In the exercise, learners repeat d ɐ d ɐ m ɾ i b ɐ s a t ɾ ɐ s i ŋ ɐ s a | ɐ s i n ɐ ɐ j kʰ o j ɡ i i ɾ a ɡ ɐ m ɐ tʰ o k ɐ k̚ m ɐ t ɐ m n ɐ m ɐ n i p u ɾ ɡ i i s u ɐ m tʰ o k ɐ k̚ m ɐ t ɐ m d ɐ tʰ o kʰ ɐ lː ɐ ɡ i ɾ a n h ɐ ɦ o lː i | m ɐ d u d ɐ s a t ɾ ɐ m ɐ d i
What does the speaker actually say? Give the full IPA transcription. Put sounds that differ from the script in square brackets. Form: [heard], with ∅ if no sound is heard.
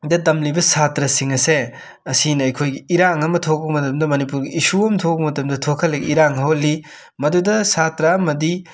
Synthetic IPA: d ɐ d ɐ m [l] i b ɐ s a t ɾ ɐ s i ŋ ɐ s [e] | ɐ s i n ɐ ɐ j kʰ o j ɡ i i ɾ a [ŋ] ɐ m ɐ tʰ o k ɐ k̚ m ɐ t ɐ m [d] ɐ m ɐ n i p u ɾ ɡ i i s u ɐ m tʰ o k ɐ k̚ m ɐ t ɐ m d ɐ tʰ o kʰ ɐ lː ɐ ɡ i ɾ a [ŋ] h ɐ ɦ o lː i | m ɐ d u d ɐ s a t ɾ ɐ m ɐ d i